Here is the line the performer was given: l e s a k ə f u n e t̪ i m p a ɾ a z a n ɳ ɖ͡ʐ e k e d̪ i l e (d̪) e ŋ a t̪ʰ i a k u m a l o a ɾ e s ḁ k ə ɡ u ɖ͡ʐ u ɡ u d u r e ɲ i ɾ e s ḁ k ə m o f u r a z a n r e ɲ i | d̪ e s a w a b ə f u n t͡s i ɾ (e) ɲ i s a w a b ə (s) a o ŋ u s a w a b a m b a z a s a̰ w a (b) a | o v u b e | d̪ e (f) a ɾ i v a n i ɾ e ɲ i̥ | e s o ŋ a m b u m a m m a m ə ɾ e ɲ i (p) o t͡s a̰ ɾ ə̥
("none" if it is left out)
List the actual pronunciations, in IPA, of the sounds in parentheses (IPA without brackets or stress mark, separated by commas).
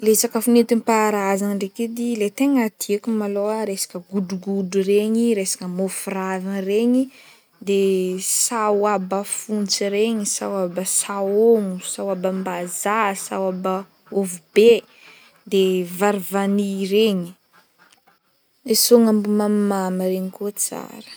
t̪, e, s, b, v, k